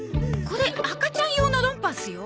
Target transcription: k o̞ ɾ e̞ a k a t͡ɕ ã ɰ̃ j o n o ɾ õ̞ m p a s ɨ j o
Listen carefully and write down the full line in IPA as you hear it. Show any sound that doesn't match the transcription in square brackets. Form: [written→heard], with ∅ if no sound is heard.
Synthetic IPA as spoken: k o̞ ɾ e̞ a k a t͡ɕ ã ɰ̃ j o n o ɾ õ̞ m p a s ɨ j o